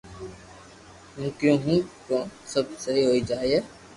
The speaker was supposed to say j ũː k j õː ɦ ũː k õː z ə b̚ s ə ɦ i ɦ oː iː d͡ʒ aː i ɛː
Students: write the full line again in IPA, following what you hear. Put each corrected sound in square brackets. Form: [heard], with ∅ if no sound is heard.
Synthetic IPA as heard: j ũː k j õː ɦ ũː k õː [s] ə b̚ s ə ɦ i ɦ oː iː d͡ʒ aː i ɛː